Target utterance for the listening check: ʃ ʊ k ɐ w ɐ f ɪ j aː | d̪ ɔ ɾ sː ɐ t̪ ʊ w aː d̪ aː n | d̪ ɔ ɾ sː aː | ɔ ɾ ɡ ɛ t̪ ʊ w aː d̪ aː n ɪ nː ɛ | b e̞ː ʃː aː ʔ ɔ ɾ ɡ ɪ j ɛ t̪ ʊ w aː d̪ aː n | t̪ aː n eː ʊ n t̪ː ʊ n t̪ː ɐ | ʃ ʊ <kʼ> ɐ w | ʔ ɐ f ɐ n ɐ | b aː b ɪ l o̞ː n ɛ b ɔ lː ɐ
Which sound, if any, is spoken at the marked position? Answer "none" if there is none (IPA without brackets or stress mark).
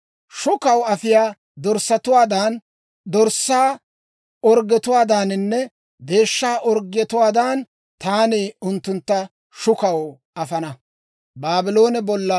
k